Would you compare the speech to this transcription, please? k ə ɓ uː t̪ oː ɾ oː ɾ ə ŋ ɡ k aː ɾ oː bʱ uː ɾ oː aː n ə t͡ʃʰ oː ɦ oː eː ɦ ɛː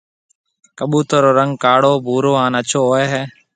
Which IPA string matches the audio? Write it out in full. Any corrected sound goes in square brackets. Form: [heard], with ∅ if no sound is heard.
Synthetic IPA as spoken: k ə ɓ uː t̪ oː ɾ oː ɾ ə ŋ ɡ k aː [ɽ] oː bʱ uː ɾ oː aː n ə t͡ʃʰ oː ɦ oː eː ɦ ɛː